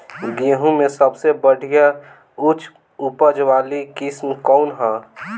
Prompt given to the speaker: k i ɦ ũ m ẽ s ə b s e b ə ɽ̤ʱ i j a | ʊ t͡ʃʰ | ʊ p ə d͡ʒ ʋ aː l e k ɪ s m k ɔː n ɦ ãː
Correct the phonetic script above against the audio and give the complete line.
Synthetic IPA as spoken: ɡ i ɦ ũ m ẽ s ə b s e b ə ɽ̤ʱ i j a | ʊ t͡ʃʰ | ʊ p ə d͡ʒ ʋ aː l i k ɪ s m k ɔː n ɦ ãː